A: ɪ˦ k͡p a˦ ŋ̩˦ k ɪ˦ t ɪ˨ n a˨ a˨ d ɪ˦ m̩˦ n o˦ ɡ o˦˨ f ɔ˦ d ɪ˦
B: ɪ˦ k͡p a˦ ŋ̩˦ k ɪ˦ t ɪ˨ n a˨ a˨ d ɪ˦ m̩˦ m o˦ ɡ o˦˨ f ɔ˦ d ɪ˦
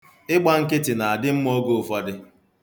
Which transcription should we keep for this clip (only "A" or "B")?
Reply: B